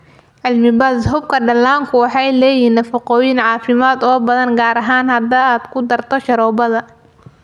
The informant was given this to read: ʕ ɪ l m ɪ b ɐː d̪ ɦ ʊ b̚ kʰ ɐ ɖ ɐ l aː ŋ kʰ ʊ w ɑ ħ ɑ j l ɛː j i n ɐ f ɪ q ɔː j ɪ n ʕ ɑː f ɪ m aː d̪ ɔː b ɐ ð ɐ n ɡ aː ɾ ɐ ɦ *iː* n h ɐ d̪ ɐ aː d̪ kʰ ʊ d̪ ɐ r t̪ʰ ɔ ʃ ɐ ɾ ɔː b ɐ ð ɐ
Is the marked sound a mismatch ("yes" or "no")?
yes